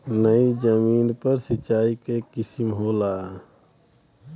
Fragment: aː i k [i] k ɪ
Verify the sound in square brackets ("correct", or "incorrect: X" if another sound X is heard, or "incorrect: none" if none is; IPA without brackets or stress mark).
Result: incorrect: e